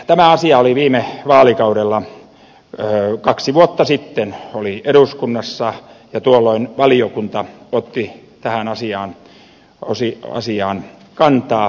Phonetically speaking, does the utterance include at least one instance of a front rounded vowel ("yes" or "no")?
no